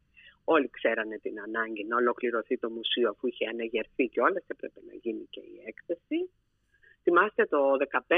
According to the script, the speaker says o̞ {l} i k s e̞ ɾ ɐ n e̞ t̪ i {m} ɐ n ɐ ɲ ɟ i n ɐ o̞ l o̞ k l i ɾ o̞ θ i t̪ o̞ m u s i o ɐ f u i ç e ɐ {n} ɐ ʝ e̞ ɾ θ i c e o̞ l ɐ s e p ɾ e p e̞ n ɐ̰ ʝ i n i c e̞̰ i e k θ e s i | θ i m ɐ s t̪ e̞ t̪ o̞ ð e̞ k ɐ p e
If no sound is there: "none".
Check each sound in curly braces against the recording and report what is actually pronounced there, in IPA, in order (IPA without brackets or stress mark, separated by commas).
l, n, n